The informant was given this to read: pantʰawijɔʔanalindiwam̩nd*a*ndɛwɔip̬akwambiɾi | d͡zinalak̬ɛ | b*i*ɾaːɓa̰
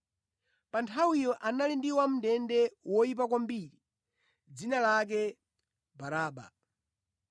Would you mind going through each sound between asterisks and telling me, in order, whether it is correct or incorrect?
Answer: incorrect, incorrect

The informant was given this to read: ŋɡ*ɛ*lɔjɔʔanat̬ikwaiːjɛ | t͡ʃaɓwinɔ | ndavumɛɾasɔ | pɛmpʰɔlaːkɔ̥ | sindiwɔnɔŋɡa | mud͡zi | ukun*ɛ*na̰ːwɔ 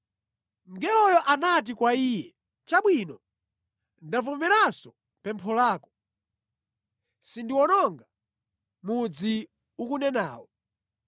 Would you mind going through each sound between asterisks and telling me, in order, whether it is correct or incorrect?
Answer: correct, correct

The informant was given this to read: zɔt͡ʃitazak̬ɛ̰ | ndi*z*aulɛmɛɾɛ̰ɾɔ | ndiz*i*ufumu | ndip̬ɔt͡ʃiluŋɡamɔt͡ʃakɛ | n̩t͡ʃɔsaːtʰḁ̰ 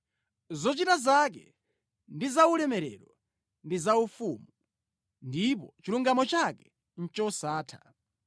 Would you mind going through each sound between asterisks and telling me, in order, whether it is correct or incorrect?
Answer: correct, incorrect

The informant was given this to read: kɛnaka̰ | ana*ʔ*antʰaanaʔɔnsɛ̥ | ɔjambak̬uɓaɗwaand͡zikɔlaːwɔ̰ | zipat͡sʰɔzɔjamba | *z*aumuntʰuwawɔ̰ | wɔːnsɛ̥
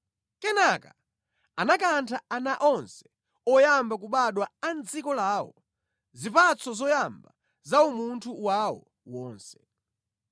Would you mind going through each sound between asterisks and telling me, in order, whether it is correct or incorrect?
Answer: incorrect, correct

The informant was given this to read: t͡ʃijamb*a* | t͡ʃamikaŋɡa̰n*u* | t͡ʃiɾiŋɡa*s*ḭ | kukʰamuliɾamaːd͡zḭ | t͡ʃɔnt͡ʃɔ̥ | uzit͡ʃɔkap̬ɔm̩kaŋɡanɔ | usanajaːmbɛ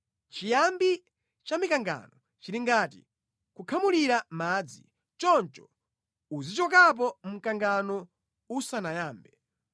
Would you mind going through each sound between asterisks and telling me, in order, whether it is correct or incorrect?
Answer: incorrect, incorrect, incorrect

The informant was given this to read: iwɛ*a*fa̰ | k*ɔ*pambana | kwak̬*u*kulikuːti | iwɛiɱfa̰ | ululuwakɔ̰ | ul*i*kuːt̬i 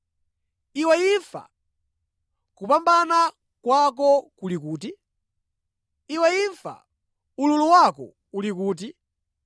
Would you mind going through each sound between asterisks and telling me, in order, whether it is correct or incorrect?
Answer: incorrect, incorrect, incorrect, correct

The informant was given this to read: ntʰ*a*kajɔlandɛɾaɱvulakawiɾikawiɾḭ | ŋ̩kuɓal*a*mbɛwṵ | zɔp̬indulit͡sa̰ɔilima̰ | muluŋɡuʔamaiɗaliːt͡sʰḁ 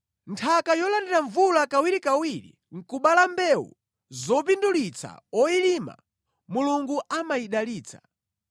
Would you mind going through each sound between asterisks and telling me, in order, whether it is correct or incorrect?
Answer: correct, correct

